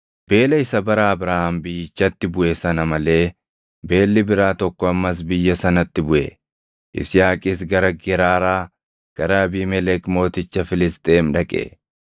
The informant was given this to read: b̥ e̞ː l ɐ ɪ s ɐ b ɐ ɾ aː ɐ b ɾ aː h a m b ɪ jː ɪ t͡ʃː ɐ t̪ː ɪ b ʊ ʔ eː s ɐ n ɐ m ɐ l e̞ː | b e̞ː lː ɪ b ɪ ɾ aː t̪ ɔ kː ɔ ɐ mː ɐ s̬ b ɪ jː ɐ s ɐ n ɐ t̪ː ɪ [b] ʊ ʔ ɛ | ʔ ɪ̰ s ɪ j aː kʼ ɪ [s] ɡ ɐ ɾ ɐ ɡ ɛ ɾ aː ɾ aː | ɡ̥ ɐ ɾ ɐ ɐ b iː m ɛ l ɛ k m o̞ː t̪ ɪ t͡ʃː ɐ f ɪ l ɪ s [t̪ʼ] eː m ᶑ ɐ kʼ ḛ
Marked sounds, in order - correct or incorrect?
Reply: correct, correct, correct

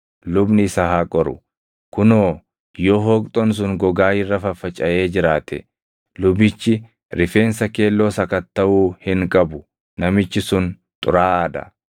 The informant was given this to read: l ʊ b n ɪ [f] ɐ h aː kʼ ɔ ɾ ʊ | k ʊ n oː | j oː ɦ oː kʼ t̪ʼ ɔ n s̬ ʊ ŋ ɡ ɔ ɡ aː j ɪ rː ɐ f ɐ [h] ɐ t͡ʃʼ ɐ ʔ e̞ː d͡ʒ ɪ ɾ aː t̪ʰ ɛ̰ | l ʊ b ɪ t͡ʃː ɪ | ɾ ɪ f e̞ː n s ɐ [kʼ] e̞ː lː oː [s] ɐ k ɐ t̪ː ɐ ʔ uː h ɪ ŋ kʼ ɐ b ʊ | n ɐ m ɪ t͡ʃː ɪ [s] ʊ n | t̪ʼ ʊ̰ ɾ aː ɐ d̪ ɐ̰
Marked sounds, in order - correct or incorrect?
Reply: incorrect: s, incorrect: f, incorrect: k, correct, correct

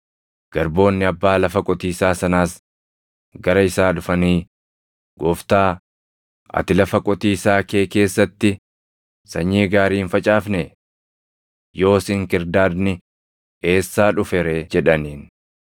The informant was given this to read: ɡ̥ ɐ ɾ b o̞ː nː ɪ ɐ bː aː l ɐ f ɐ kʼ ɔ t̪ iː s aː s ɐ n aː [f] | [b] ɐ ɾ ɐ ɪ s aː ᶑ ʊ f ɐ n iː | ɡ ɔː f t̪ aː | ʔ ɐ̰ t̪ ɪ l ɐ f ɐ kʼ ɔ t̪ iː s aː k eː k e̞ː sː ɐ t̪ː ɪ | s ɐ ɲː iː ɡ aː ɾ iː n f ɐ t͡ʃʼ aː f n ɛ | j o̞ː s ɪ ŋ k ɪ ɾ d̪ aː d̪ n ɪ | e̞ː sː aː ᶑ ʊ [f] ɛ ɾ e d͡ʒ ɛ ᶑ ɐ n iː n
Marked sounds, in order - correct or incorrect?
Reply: incorrect: s, incorrect: ɡ, correct

